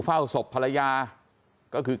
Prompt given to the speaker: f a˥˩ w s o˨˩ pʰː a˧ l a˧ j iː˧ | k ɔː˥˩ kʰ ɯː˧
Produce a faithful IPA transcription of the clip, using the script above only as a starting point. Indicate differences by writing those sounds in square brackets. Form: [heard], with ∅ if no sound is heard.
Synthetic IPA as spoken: f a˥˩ w s o˨˩ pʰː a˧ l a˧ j [aː˧] | k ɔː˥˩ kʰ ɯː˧

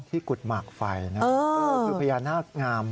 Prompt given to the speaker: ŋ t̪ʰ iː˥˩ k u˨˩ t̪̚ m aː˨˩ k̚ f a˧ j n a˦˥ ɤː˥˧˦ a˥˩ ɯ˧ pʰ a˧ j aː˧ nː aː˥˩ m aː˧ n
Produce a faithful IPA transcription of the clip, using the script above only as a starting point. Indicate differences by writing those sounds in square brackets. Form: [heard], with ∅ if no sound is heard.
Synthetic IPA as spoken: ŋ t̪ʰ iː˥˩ k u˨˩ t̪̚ m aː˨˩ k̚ f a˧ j n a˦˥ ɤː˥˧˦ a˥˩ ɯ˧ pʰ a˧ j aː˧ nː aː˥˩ [ŋ] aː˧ [m]

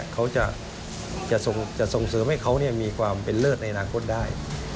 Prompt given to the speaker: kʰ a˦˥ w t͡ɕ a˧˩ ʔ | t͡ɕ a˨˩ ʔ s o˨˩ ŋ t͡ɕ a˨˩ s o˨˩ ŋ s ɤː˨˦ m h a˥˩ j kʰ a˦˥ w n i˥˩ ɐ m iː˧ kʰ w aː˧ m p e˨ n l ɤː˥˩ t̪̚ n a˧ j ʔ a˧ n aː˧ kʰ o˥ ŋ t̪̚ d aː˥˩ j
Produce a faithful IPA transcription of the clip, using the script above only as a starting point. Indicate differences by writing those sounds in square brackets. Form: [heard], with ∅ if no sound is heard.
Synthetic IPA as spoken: kʰ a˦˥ w t͡ɕ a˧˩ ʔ | t͡ɕ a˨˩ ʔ s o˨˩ ŋ t͡ɕ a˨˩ s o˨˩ ŋ s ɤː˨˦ m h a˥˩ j kʰ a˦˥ w n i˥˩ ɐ m iː˧ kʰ w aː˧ m p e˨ n l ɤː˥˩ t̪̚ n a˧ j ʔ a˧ n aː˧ kʰ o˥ [∅] t̪̚ d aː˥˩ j

